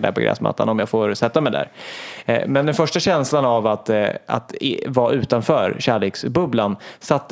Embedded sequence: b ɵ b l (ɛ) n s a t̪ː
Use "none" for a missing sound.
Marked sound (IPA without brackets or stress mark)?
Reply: a